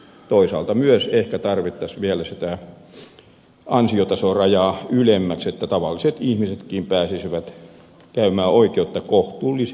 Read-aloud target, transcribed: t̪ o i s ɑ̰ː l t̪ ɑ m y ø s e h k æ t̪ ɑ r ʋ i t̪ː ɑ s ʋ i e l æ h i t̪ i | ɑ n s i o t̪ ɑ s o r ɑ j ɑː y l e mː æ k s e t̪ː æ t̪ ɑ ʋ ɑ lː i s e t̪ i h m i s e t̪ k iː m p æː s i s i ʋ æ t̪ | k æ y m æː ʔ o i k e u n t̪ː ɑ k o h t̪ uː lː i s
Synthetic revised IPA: t̪ o i s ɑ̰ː l t̪ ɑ m y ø s e h k æ t̪ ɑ r ʋ i t̪ː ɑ s ʋ i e l æ s i t̪ æ | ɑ n s i o t̪ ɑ s o r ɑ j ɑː y l e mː æ k s e t̪ː æ t̪ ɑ ʋ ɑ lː i s e t̪ i h m i s e t̪ k iː m p æː s i s i ʋ æ t̪ | k æ y m æː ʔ o i k e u t̪ː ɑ k o h t̪ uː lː i s